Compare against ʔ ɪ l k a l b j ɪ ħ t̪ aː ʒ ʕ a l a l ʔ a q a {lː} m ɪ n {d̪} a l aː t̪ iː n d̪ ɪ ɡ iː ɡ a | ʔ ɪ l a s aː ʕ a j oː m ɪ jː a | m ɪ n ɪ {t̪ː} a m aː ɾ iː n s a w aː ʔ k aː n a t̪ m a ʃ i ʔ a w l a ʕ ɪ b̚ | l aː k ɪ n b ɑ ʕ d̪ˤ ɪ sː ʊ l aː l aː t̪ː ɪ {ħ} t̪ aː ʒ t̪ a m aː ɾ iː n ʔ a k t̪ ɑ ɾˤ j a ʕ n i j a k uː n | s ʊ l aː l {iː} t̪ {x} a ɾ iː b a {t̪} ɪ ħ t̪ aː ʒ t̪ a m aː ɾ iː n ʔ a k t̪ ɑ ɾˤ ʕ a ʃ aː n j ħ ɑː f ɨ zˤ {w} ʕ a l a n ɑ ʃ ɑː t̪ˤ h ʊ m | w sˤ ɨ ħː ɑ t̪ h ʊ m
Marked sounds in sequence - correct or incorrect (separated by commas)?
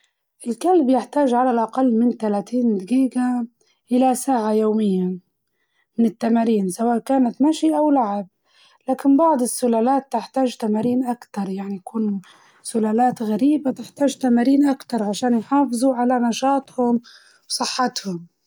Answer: correct, incorrect, correct, correct, incorrect, incorrect, correct, incorrect